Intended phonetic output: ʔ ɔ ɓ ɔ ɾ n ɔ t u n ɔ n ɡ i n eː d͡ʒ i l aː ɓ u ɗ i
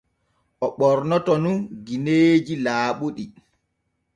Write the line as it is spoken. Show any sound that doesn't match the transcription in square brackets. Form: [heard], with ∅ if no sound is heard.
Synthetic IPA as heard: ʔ ɔ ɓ ɔ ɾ n ɔ t [ɔ] n [u] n ɡ i n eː d͡ʒ i l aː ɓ u ɗ i